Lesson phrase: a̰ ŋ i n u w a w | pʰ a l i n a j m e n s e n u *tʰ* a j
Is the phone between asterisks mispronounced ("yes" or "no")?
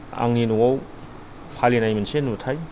no